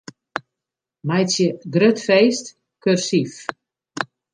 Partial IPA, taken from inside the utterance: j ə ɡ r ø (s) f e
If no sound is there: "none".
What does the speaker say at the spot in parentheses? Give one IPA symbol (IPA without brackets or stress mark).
t